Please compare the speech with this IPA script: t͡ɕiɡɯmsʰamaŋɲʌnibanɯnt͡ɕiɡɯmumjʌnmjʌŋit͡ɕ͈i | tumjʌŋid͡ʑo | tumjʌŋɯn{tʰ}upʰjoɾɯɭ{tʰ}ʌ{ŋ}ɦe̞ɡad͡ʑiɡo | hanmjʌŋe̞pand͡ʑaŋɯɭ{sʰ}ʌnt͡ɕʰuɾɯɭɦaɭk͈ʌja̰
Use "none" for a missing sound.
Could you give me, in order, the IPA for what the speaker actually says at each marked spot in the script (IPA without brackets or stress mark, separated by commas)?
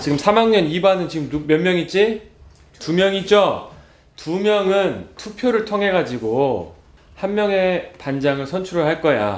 tʰ, tʰ, ŋ, sʰ